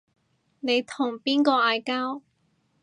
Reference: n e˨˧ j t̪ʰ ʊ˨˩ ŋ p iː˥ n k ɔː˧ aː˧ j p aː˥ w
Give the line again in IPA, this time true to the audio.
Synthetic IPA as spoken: n e˨˧ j t̪ʰ ʊ˨˩ ŋ p iː˥ n k ɔː˧ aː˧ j k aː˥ w